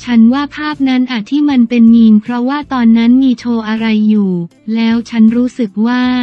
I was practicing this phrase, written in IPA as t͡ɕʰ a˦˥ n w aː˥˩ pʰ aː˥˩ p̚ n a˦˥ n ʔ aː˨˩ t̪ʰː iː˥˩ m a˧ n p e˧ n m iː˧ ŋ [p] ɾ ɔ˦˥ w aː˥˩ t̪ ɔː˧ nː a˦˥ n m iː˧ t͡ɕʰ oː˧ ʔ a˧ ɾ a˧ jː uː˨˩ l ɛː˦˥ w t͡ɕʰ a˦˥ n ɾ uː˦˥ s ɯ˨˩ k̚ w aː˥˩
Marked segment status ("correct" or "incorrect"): incorrect